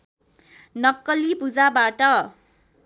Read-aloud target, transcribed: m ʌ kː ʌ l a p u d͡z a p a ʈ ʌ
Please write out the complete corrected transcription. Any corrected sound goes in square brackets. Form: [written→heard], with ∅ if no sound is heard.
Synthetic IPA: [m→n] ʌ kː ʌ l [a→i] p u d͡z a [p→b] a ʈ ʌ